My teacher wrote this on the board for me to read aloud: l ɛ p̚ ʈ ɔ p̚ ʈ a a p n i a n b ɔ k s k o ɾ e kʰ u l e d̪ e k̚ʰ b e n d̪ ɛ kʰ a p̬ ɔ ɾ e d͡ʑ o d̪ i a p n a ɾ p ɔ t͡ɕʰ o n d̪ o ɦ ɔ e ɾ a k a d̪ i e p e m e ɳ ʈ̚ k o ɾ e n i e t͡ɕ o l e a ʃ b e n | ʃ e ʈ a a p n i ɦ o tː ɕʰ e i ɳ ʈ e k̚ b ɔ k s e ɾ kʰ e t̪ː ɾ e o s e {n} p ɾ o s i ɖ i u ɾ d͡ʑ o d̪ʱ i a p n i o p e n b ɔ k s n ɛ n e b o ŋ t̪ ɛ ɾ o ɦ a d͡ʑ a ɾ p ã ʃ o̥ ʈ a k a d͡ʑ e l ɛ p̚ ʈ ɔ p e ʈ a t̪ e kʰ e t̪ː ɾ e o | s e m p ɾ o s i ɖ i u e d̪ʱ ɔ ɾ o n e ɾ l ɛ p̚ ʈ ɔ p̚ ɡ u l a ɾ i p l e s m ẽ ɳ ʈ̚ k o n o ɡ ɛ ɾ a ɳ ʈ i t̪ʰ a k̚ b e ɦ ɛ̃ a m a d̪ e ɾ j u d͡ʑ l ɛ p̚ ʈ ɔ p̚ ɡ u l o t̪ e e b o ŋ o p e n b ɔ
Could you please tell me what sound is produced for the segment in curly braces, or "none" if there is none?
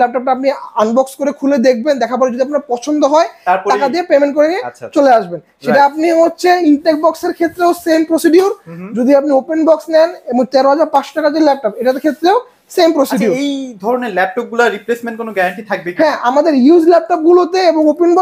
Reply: m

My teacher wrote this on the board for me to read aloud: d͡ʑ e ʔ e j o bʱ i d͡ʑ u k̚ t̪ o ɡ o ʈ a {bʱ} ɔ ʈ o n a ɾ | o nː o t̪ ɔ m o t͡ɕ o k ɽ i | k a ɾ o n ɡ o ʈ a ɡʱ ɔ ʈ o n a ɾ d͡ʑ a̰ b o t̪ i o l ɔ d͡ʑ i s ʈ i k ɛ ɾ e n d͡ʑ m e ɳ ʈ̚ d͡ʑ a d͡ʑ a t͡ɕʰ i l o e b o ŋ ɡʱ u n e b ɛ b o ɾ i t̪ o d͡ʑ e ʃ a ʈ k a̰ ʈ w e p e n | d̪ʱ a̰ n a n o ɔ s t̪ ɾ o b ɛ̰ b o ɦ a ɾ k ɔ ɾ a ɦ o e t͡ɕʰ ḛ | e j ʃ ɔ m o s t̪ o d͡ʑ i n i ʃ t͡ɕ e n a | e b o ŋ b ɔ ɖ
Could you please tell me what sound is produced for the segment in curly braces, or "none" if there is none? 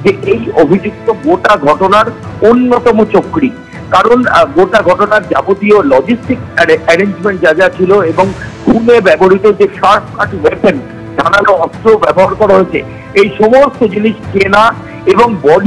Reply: ɡʱ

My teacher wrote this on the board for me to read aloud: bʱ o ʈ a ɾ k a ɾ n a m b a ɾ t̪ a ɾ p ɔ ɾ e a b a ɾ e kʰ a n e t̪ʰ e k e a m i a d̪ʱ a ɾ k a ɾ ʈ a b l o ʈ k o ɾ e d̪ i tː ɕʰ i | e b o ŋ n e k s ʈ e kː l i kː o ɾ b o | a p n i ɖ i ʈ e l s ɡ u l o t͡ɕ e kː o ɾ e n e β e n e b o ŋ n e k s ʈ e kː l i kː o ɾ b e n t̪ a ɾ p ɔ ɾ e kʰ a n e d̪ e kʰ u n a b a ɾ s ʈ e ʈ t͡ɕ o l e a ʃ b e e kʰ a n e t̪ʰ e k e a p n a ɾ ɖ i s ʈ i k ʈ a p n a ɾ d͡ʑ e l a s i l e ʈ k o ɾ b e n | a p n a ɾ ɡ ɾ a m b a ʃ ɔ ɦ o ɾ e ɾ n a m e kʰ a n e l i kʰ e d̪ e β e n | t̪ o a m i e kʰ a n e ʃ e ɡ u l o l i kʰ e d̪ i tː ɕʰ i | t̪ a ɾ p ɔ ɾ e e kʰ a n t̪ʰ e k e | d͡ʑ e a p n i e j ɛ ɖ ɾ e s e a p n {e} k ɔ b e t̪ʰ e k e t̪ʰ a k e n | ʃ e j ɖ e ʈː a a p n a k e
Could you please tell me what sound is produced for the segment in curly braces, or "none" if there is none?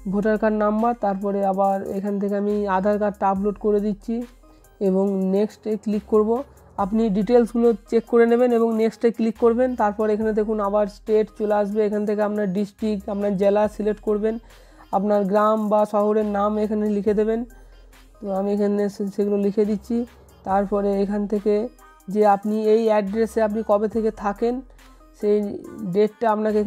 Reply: i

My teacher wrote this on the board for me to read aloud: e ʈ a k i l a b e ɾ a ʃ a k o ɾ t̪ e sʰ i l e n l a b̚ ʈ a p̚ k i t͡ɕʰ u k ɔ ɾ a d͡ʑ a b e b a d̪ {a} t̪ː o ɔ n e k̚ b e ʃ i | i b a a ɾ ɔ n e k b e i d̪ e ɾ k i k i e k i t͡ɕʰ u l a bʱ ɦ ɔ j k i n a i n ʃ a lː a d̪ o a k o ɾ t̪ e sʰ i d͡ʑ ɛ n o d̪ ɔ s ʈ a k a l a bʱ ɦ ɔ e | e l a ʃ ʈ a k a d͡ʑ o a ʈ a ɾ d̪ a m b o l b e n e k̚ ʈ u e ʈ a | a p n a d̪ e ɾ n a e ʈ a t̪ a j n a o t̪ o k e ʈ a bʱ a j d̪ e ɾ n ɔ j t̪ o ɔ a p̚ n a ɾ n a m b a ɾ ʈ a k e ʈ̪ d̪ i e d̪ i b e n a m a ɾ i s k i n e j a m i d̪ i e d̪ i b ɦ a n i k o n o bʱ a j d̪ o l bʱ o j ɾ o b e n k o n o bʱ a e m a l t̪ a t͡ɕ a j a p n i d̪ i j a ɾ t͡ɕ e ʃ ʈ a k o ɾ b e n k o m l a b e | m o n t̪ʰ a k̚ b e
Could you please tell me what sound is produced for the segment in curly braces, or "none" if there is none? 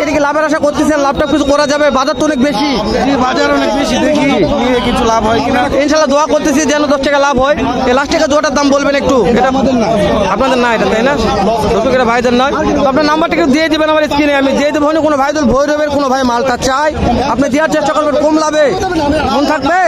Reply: a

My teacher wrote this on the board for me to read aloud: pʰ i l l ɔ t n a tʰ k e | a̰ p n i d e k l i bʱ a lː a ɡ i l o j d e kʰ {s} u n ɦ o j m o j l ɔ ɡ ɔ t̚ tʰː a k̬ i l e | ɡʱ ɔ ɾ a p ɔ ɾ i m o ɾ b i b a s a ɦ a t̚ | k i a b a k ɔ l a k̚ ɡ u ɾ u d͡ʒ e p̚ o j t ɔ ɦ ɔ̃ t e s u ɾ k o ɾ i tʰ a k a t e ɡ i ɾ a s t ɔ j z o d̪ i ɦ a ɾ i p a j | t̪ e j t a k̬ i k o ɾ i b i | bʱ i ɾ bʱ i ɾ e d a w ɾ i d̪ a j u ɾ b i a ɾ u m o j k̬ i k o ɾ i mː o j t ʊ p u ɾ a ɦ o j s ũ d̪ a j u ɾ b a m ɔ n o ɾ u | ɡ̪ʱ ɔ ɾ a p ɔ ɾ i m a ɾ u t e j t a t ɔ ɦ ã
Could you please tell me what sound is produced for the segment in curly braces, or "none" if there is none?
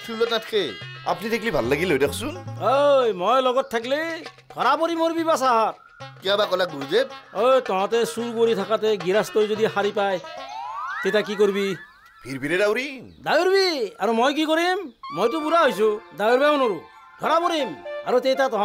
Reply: s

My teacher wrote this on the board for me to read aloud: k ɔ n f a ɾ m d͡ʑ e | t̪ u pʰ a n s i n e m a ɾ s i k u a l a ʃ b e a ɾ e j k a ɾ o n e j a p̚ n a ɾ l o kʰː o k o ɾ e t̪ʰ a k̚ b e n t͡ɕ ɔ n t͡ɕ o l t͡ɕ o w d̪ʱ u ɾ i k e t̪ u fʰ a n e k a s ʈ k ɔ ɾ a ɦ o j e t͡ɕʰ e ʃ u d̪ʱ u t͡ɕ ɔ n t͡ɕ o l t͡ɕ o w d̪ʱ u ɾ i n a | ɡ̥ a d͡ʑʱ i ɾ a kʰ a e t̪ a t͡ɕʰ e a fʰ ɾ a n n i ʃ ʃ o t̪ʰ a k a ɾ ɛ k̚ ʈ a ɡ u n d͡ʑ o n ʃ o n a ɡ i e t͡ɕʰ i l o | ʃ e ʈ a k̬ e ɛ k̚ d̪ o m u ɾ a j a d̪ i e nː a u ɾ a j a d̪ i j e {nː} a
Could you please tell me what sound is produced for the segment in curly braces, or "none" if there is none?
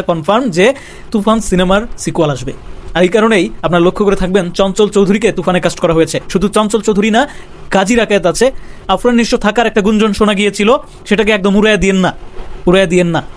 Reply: nː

